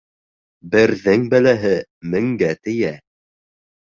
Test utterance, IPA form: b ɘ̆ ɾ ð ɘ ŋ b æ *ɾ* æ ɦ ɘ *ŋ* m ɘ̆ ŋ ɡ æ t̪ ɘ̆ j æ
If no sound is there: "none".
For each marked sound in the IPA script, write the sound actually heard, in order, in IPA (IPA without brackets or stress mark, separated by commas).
l, none